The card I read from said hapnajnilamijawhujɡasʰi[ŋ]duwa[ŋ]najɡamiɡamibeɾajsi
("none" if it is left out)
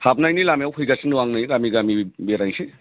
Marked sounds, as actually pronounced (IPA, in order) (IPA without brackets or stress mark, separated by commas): n, ŋ